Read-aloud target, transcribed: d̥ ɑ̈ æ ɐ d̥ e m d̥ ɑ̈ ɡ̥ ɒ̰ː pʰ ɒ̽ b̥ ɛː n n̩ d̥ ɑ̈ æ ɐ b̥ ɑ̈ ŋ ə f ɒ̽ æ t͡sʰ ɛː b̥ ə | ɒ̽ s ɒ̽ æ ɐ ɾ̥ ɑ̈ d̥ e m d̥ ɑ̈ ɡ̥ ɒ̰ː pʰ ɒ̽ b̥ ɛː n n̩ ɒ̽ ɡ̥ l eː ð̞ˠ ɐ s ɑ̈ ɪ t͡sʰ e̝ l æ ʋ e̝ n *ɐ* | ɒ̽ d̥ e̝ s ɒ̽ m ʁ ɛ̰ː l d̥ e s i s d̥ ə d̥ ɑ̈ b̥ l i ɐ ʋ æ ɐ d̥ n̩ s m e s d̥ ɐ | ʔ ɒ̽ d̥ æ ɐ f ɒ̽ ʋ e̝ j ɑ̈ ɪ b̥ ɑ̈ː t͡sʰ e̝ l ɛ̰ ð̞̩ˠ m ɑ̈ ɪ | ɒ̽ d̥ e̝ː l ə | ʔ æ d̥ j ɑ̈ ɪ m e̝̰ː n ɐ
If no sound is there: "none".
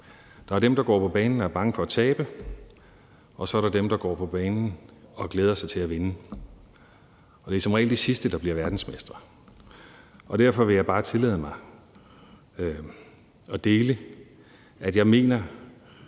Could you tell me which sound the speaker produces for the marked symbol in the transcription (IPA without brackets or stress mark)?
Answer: ə